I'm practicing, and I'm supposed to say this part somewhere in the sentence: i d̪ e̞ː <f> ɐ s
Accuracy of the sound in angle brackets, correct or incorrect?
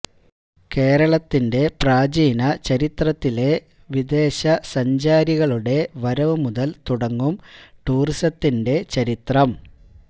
incorrect: ɕ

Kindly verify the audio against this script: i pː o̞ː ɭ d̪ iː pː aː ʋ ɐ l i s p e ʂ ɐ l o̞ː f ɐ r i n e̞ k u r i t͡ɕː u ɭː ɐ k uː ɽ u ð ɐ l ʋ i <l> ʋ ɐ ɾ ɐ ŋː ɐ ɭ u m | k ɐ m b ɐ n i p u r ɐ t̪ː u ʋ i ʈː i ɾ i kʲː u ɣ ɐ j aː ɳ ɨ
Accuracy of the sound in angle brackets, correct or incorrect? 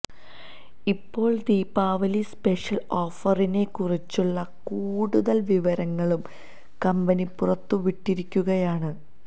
incorrect: none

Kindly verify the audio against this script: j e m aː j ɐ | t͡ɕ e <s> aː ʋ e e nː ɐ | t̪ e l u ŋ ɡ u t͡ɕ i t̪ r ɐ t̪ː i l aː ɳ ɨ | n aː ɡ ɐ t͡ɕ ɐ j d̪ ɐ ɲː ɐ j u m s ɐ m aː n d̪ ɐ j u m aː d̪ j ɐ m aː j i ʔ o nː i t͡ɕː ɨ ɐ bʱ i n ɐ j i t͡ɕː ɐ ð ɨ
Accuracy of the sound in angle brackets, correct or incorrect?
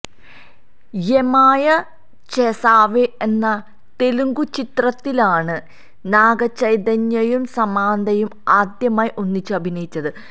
correct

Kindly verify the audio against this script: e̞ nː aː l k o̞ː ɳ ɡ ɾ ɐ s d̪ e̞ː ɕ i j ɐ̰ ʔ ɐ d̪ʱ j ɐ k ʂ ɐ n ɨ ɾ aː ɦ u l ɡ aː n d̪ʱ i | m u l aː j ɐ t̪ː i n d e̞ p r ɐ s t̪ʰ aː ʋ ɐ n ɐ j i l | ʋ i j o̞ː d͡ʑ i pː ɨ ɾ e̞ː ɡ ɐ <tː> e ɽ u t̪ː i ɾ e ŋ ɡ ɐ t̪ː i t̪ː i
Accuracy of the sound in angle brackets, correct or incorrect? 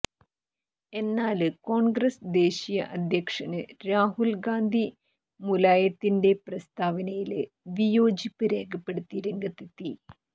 incorrect: pː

